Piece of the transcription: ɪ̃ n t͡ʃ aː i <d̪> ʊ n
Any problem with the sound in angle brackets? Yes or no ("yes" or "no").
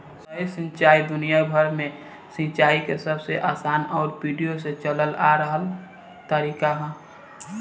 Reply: no